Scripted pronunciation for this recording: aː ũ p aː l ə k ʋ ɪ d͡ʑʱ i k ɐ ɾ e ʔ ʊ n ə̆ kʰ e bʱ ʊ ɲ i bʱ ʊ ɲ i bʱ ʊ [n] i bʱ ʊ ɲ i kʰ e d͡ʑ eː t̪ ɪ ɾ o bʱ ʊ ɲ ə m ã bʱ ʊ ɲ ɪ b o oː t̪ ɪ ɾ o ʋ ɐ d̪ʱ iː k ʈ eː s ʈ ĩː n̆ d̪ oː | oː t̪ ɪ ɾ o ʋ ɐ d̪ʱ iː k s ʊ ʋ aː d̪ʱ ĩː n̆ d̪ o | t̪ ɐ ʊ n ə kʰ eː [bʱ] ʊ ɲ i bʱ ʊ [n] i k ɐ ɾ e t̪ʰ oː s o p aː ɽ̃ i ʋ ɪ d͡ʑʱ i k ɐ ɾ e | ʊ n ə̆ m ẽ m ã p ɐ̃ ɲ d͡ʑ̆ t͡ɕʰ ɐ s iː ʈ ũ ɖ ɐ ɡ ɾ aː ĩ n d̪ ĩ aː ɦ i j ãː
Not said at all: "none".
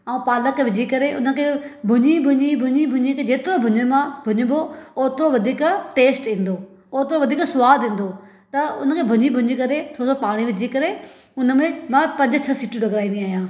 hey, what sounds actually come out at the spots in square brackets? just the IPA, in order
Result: ɲ, bʱ, ɲ

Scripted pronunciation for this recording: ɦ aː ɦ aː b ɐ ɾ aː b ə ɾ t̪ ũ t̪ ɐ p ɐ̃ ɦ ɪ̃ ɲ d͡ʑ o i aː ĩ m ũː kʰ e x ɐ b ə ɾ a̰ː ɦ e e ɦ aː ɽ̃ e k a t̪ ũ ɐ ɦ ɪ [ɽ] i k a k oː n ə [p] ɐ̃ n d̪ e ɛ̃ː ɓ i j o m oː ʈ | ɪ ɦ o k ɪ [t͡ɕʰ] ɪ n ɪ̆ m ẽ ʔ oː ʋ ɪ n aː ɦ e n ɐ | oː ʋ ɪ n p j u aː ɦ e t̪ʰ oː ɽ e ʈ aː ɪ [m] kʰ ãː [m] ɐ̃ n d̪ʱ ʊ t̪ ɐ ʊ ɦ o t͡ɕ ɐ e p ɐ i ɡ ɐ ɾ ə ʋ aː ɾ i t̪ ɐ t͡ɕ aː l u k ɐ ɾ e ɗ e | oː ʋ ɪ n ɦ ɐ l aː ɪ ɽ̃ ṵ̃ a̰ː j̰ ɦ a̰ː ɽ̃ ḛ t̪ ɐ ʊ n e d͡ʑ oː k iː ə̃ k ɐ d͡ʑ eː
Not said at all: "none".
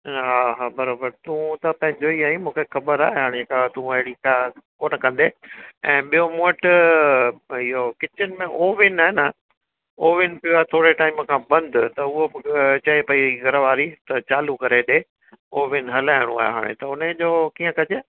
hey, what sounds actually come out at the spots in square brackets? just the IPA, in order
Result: ɽ, k, t͡ɕ, m, b

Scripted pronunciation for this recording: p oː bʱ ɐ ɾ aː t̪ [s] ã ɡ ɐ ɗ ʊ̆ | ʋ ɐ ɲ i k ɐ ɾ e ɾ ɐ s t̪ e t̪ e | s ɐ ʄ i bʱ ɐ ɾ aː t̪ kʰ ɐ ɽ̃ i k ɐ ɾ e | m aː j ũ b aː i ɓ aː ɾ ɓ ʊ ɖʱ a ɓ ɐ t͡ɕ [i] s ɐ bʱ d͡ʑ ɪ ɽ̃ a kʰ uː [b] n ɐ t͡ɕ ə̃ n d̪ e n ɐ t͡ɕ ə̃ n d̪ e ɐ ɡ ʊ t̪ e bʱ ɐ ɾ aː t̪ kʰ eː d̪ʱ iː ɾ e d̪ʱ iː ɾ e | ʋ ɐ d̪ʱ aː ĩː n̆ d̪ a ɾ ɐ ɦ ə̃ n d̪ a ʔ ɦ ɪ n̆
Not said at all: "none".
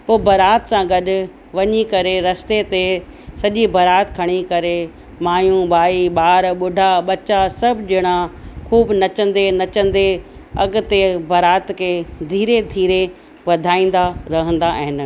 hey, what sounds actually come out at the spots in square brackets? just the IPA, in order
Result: s, a, b

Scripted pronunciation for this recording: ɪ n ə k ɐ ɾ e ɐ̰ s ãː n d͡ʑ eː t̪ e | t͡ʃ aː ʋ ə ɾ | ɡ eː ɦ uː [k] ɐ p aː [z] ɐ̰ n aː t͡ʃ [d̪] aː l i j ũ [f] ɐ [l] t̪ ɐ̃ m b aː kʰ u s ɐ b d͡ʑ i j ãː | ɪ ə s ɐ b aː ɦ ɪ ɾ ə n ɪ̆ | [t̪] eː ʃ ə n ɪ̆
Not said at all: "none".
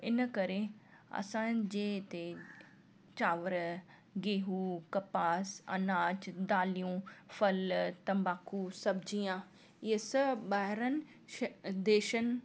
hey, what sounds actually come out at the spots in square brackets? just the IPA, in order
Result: k, s, d̪, f, l, d̪

